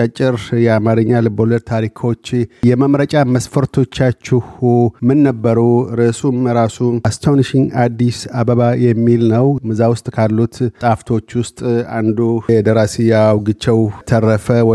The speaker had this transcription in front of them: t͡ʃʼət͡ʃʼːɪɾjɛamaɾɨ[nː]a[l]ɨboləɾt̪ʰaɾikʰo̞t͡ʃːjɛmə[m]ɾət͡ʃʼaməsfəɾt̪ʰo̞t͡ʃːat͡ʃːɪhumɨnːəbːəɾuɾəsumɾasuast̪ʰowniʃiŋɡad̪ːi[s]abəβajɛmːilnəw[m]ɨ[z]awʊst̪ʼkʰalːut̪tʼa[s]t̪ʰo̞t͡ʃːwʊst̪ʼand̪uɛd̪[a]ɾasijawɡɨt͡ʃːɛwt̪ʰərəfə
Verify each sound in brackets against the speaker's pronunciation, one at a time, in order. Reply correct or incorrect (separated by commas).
incorrect, correct, correct, correct, correct, correct, incorrect, incorrect